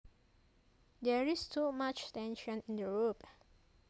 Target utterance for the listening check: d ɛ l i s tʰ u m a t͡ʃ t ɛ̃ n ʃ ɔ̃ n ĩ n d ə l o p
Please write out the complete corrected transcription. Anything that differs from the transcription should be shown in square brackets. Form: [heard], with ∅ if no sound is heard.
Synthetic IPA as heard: d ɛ [ɹ] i s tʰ u m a t͡ʃ t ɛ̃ n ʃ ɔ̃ n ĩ n d ə [ɹ] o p

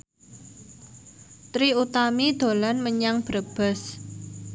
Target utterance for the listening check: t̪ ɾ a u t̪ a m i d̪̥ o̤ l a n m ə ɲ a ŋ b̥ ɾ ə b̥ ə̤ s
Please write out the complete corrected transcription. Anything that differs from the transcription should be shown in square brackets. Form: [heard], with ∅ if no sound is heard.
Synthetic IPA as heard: t̪ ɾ [i] u t̪ a m i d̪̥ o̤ l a n m ə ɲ a ŋ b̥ ɾ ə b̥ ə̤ s

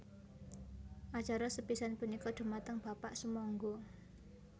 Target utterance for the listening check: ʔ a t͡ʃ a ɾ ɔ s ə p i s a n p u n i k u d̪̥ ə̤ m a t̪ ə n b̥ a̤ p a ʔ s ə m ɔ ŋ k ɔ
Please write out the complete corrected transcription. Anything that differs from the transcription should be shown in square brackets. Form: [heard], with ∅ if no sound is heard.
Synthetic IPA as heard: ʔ a t͡ʃ a ɾ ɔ s ə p i s a n p u n i k [ɔ] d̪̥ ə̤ m a t̪ ə [ŋ] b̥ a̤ p a ʔ s ə m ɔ ŋ [ɡ] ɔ

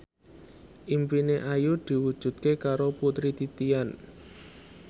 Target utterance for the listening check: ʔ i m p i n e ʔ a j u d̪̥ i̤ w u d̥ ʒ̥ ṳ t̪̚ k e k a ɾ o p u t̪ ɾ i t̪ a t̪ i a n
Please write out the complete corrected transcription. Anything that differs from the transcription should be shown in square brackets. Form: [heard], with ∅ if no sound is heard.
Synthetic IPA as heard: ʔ i m p i n e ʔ a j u d̪̥ i̤ w u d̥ ʒ̥ ṳ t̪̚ k e k a ɾ o p u t̪ ɾ i t̪ [i] t̪ i a n

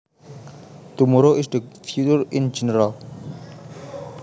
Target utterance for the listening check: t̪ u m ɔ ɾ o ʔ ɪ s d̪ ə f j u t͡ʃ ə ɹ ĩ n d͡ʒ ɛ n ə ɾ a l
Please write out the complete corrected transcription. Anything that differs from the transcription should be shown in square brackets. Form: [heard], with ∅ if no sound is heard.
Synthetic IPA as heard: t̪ u m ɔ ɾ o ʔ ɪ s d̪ ə f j u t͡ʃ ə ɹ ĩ n d͡ʒ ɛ n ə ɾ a l

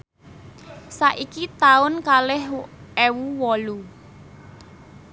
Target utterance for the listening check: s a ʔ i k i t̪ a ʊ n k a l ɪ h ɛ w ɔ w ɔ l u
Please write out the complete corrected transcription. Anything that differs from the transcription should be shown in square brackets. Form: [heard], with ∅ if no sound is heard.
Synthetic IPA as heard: s a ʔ i k i t̪ a ʊ n k a l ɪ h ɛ w [u] w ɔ l u

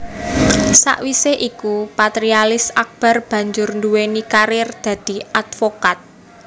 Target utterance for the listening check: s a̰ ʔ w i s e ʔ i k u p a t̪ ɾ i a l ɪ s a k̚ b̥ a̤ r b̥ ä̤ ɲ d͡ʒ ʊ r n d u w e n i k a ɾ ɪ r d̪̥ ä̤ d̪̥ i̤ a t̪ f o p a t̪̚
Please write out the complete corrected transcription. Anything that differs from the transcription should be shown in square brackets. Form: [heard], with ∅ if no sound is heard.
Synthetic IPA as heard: s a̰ ʔ w i s e ʔ i k u p a t̪ ɾ i a l ɪ s a k̚ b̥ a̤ r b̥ ä̤ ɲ d͡ʒ ʊ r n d u w e n i k a ɾ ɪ r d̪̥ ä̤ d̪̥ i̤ a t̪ f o [k] a t̪̚

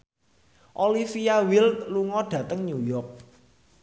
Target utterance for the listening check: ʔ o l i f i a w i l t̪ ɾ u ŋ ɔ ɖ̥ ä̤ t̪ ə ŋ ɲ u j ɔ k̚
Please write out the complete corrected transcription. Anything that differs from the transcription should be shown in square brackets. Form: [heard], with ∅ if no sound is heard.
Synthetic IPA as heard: ʔ o l i f i a w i l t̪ [l] u ŋ ɔ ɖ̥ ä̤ t̪ ə ŋ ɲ u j ɔ k̚

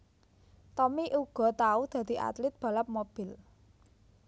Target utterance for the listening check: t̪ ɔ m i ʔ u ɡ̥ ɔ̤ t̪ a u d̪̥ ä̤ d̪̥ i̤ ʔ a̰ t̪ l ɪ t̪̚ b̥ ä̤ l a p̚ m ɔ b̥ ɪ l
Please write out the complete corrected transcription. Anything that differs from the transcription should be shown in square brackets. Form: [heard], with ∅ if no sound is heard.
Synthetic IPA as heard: t̪ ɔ m i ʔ u ɡ̥ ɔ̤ t̪ a u d̪̥ ä̤ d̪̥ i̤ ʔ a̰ t̪ l ɪ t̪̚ b̥ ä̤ l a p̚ m [o] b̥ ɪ l

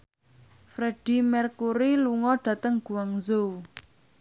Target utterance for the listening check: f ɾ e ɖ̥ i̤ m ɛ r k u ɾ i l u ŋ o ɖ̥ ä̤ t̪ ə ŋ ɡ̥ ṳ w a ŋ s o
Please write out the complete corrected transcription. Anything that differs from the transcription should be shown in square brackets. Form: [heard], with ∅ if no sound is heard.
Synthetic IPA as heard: f ɾ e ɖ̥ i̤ m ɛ r k u ɾ i l u ŋ [ɔ] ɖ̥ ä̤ t̪ ə ŋ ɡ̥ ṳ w a ŋ [z] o

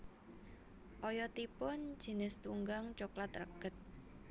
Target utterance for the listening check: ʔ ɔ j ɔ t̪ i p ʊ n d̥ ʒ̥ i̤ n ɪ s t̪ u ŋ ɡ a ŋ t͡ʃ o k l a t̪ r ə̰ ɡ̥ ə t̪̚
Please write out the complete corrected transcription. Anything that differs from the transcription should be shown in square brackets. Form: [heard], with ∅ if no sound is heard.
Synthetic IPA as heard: ʔ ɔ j ɔ t̪ i p ʊ n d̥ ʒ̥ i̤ n ɪ s t̪ u ŋ ɡ a ŋ t͡ʃ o k l a t̪ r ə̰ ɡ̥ ə t̪̚

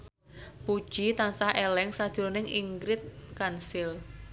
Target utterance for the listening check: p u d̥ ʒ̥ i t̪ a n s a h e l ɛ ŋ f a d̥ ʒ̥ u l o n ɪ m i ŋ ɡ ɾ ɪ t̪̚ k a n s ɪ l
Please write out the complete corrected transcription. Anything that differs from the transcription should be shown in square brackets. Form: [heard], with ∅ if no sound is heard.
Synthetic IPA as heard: p u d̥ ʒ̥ i t̪ a n s a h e l ɛ ŋ [s] a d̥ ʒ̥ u [ɾ] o n ɪ [ŋ] i ŋ ɡ ɾ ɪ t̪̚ k a n s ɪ l

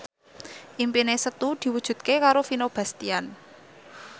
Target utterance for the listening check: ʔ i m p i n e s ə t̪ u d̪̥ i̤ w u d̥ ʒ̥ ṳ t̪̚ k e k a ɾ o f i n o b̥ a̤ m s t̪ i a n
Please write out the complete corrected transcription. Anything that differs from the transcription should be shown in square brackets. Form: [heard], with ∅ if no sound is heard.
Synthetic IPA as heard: ʔ i m p i n e s ə t̪ u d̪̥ i̤ w u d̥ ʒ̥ ṳ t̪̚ k e k a ɾ o f i n o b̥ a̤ [∅] s t̪ i a n

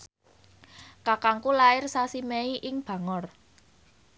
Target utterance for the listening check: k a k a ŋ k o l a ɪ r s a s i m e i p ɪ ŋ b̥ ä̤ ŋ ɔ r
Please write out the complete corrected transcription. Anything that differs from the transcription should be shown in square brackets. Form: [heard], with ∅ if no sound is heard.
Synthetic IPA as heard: k a k a ŋ k [u] l a ɪ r s a s i m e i [ʔ] ɪ ŋ b̥ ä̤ ŋ ɔ r

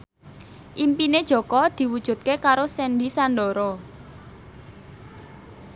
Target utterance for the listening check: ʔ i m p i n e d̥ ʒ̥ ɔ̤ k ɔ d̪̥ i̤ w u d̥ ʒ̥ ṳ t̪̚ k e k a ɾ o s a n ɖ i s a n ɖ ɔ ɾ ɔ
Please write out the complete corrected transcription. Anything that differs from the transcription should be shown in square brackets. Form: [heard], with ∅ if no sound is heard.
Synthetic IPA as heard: ʔ i m p i n e d̥ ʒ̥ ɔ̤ k ɔ d̪̥ i̤ w u d̥ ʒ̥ ṳ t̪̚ k e k a ɾ o s [ɛ] n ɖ i s a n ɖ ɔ ɾ ɔ

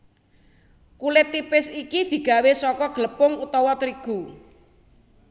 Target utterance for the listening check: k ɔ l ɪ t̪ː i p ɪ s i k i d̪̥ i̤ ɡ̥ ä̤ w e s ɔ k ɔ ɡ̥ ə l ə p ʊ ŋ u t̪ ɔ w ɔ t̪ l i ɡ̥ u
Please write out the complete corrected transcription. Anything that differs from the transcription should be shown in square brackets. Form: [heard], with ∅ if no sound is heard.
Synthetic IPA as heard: k [u] l ɪ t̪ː i p ɪ s i k i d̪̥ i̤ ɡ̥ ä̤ w e s ɔ k ɔ ɡ̥ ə l ə p ʊ ŋ u t̪ ɔ w ɔ t̪ [ɾ] i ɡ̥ u

